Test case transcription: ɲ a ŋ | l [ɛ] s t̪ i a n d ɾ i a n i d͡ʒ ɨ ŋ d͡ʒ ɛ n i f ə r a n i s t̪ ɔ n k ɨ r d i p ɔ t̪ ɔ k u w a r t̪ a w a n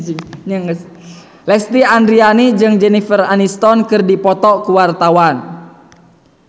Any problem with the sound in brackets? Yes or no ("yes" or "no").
no